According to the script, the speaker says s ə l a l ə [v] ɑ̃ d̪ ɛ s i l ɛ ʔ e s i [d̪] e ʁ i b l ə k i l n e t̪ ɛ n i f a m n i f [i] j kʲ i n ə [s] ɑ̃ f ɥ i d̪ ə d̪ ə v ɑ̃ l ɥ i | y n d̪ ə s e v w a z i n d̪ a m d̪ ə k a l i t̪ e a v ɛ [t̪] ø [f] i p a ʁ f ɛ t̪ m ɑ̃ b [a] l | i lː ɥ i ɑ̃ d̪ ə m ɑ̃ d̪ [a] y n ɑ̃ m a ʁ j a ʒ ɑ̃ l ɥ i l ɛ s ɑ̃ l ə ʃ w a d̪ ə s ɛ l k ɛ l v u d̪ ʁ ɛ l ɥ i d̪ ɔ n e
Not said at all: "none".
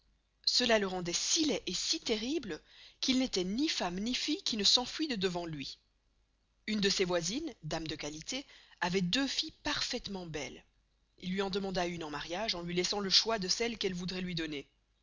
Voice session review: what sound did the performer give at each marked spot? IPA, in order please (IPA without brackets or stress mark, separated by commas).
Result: ʁ, t̪, i, s, d̪, f, ɛ, a